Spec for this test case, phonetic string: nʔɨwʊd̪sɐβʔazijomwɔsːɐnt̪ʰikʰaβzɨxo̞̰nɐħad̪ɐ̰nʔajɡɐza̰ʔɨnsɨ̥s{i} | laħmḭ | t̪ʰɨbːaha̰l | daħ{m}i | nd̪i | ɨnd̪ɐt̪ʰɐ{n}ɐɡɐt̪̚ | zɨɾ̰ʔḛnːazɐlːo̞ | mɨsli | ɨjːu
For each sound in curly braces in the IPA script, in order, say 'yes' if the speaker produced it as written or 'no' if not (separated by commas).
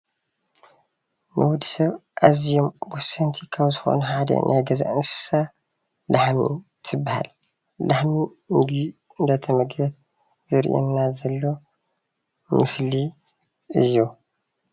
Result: no, yes, no